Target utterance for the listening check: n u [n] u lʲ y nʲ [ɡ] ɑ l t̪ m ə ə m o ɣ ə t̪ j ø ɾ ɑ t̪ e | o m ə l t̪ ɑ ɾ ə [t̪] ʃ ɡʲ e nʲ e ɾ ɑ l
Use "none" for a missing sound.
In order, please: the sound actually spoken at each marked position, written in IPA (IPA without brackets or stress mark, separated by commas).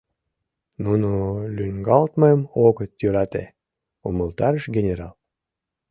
n, ɡ, none